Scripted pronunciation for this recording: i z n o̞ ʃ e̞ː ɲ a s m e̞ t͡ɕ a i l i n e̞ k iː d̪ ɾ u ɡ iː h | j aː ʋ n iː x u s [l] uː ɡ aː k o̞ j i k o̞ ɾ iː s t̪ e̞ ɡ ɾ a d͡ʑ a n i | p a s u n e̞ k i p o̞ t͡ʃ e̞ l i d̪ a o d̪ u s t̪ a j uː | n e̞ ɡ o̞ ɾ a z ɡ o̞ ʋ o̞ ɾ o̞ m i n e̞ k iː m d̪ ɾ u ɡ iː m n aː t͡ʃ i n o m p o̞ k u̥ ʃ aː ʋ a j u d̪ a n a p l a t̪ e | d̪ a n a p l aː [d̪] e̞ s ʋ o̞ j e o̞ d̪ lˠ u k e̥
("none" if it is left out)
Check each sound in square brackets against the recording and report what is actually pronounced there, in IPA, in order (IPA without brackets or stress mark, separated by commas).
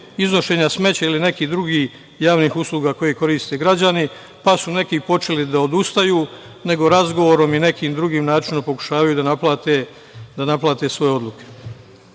l, t̪